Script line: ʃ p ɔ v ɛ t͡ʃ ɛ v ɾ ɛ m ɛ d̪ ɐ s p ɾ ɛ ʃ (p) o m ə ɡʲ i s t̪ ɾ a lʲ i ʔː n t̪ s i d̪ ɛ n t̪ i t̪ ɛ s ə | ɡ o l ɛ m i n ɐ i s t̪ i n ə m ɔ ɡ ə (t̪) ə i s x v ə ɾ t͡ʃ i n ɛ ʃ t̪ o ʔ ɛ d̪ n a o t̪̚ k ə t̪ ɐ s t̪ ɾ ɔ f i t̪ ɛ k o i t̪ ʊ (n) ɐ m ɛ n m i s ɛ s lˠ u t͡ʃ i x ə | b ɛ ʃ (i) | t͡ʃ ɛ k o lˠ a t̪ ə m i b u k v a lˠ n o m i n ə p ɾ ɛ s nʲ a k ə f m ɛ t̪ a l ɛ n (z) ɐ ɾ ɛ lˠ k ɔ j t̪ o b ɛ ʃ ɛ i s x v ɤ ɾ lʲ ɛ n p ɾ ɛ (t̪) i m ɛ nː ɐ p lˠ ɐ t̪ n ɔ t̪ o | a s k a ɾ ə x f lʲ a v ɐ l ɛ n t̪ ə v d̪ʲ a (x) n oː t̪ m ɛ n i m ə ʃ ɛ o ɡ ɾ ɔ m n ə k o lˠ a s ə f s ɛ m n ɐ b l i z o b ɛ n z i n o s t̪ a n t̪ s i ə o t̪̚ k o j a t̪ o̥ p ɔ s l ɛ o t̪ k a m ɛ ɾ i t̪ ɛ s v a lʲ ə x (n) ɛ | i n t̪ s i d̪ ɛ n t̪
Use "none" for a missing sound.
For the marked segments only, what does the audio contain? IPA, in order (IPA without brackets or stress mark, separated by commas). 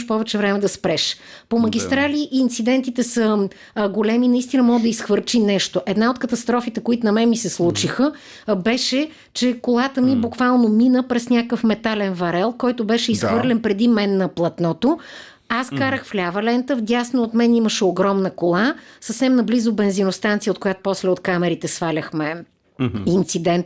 p, d̪, n, ɛ, v, d̪, s, m